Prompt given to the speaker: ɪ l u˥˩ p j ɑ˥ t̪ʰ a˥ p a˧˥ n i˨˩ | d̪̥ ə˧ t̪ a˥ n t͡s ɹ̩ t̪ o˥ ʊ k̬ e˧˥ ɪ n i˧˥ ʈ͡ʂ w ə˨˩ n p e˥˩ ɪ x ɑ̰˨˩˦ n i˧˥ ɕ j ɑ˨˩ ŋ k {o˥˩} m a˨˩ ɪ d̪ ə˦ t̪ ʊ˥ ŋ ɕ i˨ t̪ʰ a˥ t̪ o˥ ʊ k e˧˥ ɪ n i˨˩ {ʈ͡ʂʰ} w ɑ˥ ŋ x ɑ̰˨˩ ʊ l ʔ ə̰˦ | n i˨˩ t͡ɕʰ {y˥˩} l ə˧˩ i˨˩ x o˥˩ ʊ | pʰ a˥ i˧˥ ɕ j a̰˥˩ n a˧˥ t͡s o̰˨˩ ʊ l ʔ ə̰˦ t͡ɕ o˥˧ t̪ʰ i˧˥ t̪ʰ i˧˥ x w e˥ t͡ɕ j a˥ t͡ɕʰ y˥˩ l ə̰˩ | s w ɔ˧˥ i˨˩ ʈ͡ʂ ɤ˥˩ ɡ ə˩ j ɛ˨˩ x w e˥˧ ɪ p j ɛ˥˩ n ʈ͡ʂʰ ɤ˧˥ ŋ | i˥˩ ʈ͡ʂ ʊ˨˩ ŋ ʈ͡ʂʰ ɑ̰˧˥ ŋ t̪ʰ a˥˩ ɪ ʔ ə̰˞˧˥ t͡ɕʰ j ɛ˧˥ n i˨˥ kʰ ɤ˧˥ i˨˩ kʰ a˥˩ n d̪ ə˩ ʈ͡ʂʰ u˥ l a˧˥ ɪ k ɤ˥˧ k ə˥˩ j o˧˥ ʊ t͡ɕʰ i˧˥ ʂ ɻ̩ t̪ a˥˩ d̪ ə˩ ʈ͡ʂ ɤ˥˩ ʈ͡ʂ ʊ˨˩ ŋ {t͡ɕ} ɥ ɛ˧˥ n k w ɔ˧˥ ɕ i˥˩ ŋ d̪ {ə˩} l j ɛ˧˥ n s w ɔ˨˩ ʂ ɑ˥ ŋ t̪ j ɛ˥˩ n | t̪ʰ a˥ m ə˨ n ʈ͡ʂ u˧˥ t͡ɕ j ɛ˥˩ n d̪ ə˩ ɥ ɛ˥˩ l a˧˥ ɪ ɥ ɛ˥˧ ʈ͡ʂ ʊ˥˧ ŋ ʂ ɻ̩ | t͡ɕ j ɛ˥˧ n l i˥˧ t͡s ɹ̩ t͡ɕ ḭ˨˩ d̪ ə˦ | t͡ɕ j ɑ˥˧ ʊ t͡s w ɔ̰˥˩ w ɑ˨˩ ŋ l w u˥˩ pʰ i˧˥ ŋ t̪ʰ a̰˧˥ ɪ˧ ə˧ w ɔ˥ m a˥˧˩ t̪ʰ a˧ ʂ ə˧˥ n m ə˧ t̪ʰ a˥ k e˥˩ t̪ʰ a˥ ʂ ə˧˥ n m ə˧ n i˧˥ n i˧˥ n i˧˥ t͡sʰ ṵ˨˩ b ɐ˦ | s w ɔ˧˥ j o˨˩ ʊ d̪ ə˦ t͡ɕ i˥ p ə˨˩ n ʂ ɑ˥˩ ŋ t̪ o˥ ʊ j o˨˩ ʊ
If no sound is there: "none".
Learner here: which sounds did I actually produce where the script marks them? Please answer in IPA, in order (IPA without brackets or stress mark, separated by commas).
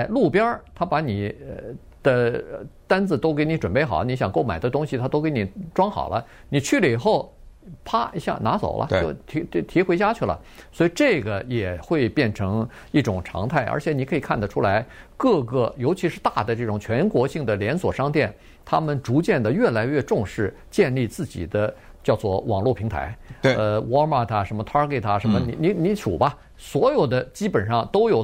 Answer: o˥˩, ʈ͡ʂ, y˥˩, t͡ɕʰ, ə˩